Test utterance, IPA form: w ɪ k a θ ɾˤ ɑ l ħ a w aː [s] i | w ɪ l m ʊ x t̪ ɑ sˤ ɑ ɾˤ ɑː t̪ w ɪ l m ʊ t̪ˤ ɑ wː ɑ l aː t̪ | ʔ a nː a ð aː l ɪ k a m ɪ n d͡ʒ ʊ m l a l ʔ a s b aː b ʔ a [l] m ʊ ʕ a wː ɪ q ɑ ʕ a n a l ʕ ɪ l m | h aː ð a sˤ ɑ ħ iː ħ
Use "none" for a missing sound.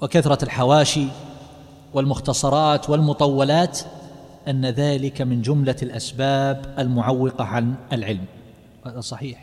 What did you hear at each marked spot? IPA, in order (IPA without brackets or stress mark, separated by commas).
ʃ, l